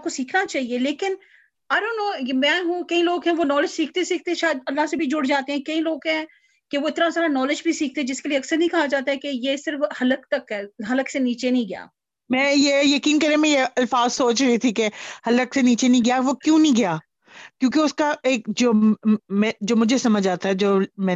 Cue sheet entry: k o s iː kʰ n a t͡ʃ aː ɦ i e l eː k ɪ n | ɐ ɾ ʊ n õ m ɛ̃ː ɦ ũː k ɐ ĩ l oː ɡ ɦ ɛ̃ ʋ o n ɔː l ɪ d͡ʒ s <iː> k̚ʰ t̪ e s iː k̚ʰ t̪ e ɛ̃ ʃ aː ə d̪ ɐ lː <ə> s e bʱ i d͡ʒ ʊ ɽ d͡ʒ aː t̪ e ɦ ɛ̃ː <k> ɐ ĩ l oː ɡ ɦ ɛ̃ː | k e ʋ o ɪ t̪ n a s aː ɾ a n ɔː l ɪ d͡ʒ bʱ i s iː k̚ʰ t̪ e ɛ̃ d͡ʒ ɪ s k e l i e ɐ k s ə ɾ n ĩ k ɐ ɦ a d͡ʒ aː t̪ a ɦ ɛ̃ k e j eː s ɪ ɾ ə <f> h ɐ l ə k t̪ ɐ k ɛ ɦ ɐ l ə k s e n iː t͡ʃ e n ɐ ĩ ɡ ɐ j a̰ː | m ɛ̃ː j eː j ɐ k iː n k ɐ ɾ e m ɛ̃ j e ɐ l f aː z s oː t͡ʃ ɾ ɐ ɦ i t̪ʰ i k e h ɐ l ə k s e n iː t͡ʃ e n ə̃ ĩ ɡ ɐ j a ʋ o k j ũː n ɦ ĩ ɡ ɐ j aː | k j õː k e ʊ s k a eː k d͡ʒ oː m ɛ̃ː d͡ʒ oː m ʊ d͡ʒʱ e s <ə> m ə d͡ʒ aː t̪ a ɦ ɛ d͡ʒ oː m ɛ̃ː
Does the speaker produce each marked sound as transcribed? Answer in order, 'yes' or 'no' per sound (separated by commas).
yes, no, yes, yes, no